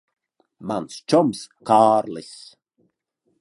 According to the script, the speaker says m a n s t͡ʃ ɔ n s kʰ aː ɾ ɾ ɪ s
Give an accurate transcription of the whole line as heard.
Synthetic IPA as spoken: m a n s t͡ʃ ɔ m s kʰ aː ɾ l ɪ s